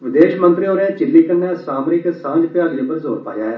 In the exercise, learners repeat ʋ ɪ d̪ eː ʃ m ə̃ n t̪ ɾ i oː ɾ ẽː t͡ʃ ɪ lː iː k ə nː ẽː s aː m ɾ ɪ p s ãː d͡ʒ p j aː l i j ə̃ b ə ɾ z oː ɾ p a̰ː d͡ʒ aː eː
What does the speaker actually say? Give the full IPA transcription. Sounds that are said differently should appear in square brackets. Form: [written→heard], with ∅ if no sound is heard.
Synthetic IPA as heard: ʋ ɪ d̪ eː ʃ m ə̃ n t̪ ɾ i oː ɾ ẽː t͡ʃ ɪ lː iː k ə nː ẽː s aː m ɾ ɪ [p→k] s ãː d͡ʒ p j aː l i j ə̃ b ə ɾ z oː ɾ p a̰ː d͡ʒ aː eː